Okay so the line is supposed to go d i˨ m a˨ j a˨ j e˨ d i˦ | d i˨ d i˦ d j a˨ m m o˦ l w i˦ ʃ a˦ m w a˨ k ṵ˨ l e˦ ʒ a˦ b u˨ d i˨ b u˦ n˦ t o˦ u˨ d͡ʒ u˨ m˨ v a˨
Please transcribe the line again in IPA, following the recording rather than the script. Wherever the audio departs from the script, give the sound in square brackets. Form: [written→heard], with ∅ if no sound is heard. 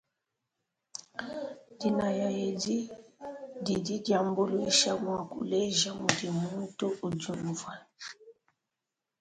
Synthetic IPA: d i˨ [m→n] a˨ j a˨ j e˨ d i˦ | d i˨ d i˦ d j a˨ m [m→b] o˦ l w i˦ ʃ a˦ m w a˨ k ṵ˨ l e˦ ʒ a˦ [b→m] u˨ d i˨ [b→m] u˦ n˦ t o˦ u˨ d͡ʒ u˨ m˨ v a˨

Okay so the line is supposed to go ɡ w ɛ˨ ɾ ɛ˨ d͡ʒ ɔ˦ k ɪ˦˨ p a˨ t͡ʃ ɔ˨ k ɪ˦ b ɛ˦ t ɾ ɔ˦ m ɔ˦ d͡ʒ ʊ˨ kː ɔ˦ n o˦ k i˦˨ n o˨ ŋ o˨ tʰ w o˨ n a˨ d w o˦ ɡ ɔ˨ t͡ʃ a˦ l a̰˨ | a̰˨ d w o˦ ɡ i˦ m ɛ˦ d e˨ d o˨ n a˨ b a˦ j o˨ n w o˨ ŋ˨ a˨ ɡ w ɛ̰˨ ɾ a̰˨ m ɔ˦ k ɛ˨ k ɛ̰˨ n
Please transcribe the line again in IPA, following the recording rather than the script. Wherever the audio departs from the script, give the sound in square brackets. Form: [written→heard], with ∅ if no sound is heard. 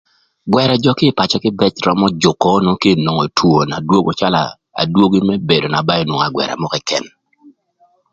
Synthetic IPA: ɡ w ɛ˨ ɾ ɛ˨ d͡ʒ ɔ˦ k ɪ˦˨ p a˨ t͡ʃ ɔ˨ k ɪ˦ b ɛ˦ [t→t͡ʃ] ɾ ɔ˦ m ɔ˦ d͡ʒ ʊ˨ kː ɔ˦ n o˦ k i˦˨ n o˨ ŋ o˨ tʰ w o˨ n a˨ d w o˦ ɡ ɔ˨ t͡ʃ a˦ l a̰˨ | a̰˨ d w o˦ ɡ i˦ m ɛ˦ [d→b] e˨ d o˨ n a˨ b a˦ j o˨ n w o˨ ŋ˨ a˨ ɡ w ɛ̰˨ ɾ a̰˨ m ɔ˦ k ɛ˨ k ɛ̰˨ n

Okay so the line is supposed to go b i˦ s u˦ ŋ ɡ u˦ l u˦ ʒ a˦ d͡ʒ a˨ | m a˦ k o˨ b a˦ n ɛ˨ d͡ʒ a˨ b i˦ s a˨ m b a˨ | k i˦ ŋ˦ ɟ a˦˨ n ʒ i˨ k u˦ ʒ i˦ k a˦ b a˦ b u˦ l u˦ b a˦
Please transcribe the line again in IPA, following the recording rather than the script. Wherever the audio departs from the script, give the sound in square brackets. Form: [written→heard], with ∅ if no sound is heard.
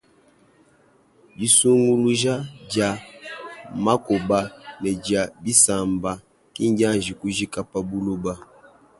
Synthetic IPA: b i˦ s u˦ ŋ ɡ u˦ l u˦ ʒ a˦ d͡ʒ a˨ | m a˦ k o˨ b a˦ n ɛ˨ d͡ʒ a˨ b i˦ s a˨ m b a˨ | k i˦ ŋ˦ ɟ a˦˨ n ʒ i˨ k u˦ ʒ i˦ k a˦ [b→p] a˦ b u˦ l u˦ b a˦

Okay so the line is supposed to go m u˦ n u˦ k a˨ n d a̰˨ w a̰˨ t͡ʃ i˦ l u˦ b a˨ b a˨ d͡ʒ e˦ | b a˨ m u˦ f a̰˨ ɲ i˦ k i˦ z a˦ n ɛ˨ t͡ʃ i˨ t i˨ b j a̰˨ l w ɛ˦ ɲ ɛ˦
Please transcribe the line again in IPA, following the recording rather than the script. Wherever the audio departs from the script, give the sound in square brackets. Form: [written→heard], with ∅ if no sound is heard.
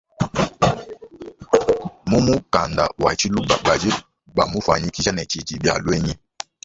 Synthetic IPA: m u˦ [n→m] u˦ k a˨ n d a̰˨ w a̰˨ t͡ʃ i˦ l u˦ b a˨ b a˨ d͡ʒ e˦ | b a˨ m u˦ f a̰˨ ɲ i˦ k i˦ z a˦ n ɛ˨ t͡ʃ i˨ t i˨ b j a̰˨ l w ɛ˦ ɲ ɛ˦

